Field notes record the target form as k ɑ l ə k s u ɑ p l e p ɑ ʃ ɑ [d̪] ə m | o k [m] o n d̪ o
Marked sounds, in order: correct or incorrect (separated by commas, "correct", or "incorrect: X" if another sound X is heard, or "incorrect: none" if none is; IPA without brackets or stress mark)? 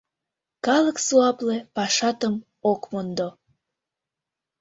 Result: incorrect: t̪, correct